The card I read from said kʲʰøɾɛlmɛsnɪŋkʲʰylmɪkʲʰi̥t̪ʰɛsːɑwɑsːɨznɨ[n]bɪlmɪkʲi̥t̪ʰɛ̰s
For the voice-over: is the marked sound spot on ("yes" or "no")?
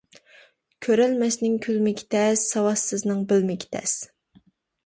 no